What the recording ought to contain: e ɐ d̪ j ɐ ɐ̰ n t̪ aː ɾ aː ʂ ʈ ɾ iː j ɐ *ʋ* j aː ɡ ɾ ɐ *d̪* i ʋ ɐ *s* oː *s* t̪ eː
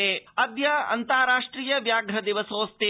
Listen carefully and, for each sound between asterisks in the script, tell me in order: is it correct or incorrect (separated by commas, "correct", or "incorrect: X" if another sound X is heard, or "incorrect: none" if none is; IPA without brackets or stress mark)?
correct, correct, correct, correct